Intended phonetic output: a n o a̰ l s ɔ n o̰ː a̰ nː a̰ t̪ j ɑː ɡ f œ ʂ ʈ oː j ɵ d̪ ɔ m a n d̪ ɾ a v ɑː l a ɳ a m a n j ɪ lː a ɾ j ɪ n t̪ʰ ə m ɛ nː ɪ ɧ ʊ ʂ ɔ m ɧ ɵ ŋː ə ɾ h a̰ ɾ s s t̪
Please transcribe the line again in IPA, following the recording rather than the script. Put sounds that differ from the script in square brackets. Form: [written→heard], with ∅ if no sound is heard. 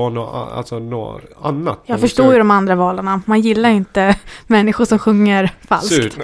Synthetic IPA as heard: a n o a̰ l s ɔ n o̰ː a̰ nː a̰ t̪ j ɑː ɡ f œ ʂ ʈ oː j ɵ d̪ ɔ m a n d̪ ɾ a v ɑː l a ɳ a m a n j ɪ lː a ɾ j ɪ n [t̪ʰ→t̪] ə m ɛ nː ɪ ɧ ʊ ʂ ɔ m ɧ ɵ ŋː ə ɾ [h→f] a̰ [ɾ→l] s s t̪